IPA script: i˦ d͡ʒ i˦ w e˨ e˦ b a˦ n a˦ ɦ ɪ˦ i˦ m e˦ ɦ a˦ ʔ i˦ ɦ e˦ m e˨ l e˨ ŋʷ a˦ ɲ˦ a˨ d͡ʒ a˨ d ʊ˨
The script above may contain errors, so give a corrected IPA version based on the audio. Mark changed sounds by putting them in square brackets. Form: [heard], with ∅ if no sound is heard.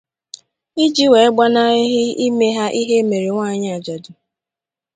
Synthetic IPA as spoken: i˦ d͡ʒ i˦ w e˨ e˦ [ɡ͡b] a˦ n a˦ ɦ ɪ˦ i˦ m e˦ ɦ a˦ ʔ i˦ ɦ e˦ m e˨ [ɾ] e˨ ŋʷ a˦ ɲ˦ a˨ d͡ʒ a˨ d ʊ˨